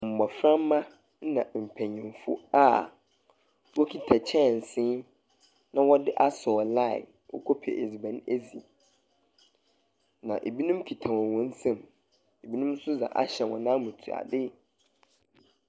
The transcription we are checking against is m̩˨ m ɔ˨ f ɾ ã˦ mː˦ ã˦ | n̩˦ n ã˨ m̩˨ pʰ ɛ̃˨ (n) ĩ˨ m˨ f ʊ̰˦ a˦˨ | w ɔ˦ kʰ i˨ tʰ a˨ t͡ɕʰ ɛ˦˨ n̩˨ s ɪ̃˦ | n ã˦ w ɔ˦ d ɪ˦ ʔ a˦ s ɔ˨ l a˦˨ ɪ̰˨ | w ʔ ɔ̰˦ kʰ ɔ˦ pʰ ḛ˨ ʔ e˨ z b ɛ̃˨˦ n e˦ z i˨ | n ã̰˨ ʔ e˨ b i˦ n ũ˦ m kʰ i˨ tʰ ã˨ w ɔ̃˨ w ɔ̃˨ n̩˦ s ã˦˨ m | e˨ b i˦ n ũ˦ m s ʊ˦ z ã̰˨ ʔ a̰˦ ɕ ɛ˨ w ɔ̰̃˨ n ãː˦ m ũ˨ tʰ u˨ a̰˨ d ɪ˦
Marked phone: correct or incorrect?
incorrect: ɲ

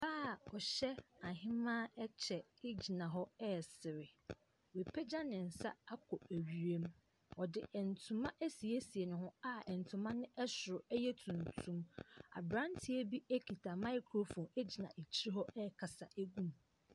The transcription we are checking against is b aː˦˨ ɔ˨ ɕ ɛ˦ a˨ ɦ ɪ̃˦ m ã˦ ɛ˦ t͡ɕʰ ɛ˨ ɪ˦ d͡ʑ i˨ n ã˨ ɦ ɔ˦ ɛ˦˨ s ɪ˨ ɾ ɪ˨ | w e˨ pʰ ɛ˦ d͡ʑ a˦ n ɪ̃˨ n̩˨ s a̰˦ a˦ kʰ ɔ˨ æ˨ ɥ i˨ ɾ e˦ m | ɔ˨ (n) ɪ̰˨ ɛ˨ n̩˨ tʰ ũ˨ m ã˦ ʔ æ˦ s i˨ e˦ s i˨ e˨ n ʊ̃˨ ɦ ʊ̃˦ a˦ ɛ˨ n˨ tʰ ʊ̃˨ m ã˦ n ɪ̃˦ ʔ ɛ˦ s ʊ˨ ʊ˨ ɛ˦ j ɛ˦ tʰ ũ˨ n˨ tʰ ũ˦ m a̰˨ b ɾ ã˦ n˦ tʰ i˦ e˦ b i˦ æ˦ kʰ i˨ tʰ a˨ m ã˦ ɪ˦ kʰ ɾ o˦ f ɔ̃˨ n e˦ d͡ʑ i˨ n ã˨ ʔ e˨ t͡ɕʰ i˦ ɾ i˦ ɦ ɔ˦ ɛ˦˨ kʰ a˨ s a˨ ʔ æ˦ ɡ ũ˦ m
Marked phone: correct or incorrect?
incorrect: d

